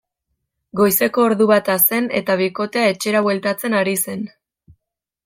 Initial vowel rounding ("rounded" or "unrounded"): rounded